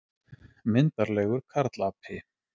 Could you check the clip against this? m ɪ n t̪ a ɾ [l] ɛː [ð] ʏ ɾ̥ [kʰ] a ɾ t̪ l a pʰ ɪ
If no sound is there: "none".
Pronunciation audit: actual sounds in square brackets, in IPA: l, ɣ, kʰ

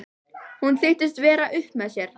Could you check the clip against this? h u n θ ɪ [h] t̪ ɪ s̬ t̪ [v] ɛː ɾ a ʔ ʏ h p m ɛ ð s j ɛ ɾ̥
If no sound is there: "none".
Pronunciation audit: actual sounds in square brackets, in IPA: h, v

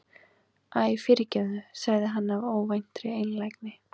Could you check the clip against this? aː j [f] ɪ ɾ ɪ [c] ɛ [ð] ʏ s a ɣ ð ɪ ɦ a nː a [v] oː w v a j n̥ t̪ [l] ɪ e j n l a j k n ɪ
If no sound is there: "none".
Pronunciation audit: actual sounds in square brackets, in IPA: f, c, ð, v, ɾ

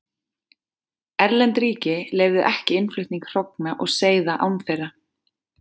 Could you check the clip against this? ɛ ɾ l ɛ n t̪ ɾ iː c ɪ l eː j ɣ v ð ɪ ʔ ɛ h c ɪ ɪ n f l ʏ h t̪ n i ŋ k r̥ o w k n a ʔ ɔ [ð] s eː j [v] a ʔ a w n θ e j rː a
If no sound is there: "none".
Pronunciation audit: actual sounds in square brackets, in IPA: ɣ, ð

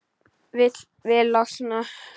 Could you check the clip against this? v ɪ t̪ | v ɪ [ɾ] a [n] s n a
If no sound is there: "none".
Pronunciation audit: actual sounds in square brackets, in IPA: l, none

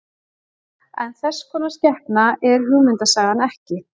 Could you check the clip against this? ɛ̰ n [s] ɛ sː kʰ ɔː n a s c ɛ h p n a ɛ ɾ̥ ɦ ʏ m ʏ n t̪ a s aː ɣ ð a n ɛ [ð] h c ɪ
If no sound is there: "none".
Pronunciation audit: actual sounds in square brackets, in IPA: θ, none

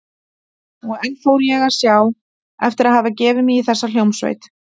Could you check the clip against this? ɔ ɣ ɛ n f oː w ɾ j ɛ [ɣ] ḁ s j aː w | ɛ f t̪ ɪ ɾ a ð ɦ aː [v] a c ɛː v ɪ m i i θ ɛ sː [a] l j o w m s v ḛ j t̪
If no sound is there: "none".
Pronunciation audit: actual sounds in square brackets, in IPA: ɣ, v, a

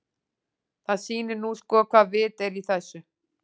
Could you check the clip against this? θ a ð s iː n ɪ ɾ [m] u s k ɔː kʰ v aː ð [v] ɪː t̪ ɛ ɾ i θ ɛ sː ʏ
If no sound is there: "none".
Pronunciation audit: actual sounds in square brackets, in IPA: n, v

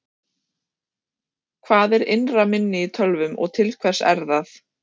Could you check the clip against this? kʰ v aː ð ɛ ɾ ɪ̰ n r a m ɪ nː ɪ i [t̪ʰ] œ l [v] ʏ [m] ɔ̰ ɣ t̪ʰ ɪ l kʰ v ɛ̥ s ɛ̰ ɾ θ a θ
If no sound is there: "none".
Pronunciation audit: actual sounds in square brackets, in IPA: t̪ʰ, v, m

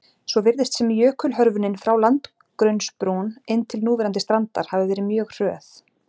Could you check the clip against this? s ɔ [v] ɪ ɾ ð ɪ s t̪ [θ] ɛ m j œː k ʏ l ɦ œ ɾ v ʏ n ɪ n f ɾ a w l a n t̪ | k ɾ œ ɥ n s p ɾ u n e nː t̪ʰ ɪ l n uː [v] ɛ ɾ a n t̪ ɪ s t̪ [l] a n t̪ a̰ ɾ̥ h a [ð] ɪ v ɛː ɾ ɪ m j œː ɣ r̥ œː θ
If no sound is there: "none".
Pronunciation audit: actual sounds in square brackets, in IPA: v, s, v, ɾ, v

